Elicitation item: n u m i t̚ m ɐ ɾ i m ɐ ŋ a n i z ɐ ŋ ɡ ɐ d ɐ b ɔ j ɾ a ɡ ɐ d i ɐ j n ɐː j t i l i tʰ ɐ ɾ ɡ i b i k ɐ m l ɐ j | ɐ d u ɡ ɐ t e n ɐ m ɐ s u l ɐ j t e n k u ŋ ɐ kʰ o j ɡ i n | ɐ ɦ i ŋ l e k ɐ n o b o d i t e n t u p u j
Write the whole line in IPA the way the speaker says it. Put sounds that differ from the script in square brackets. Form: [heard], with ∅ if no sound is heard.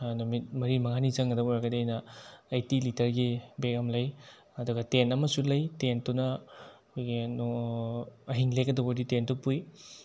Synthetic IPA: n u m i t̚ m ɐ ɾ i m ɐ ŋ a n i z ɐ ŋ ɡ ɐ d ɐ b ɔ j ɾ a ɡ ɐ d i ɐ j n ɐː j t i l i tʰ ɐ ɾ ɡ i b [e] k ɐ m l ɐ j | ɐ d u ɡ ɐ t e n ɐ m ɐ s u l ɐ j t e n [t] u [n] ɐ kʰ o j ɡ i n | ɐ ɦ i ŋ l e k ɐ [d] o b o d i t e n t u p u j